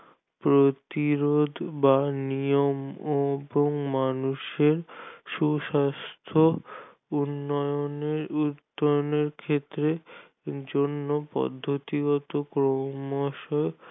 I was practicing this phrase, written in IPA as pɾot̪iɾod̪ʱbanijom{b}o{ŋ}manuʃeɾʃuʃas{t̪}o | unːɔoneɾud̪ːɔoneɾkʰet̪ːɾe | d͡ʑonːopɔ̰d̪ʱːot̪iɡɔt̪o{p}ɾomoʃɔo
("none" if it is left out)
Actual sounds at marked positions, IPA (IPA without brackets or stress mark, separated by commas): b, ŋ, t̪ʰ, k